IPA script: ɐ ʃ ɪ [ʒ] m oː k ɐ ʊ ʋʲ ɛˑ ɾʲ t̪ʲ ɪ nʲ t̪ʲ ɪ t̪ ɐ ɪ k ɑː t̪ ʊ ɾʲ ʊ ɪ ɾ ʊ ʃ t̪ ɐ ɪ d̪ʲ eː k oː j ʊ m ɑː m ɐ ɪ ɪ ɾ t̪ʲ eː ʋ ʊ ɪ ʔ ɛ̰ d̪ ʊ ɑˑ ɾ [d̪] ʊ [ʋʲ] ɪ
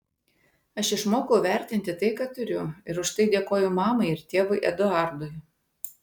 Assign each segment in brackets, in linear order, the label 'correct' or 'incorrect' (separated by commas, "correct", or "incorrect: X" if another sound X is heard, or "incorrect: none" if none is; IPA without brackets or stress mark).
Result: incorrect: ʃ, correct, incorrect: none